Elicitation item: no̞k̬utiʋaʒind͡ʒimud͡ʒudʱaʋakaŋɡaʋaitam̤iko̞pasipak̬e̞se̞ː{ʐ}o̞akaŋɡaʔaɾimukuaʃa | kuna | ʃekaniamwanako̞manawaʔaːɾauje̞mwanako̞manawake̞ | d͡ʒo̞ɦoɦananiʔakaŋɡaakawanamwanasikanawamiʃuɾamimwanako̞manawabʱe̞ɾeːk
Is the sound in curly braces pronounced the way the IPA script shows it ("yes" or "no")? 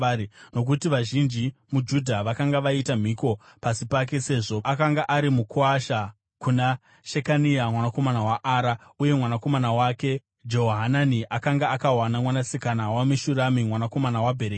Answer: yes